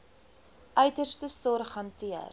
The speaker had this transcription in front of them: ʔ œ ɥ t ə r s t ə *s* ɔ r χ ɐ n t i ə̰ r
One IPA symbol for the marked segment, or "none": s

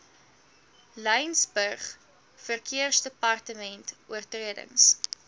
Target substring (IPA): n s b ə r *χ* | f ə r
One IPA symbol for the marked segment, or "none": χ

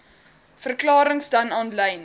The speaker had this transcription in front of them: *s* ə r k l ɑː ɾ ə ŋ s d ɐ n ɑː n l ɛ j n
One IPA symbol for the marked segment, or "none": f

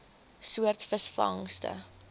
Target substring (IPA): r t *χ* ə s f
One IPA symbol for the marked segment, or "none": f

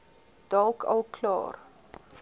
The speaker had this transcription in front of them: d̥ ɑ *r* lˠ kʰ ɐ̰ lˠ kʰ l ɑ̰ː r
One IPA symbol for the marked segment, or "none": none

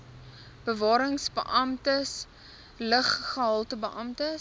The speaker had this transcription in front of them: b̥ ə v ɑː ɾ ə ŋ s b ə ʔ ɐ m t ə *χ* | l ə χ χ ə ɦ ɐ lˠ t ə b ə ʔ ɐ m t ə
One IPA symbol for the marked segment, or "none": s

